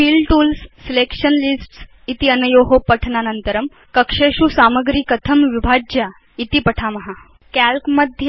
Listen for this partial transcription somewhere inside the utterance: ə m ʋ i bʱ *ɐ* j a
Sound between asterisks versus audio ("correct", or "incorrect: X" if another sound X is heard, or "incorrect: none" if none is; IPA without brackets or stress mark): incorrect: a